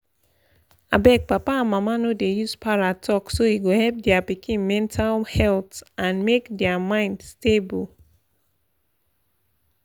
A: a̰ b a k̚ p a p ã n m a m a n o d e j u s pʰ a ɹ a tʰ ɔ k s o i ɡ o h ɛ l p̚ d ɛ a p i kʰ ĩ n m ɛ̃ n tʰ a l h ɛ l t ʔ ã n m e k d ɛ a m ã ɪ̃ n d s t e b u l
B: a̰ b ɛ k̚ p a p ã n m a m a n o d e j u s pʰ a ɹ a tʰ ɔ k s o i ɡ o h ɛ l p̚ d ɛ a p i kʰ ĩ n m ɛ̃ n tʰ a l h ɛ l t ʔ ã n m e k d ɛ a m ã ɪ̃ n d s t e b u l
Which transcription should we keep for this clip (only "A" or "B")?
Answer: B